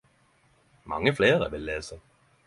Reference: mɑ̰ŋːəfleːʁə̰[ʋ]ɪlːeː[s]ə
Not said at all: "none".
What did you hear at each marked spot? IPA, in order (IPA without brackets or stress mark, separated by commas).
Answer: ʋ, s